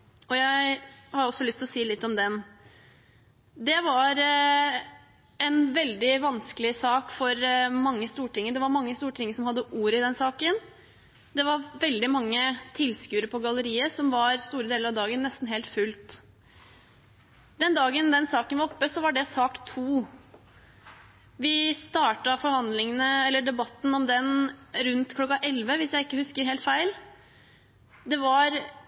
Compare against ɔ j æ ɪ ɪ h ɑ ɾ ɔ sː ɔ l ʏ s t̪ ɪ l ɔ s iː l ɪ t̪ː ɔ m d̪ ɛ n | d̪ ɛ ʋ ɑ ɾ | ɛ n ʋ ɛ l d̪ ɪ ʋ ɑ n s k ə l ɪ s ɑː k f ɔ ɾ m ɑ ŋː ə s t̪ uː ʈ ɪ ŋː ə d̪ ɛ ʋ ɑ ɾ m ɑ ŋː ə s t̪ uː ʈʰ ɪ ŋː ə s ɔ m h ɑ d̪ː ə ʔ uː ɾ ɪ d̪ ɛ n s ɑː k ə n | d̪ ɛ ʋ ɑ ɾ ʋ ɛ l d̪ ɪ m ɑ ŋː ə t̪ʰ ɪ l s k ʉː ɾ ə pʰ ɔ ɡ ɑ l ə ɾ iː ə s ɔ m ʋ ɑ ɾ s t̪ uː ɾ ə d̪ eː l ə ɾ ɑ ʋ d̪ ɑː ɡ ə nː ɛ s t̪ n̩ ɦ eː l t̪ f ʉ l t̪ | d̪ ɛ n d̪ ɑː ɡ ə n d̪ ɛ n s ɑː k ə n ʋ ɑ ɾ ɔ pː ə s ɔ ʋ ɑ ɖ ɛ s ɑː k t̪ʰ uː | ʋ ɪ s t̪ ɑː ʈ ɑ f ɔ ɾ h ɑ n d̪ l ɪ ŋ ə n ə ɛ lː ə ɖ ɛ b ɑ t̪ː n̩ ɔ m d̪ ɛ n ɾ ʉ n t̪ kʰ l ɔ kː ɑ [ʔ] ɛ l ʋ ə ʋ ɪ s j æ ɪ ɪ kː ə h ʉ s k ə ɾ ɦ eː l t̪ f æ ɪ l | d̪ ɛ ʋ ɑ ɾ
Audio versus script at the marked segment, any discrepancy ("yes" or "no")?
no